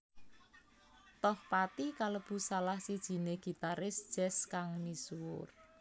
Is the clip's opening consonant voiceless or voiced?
voiceless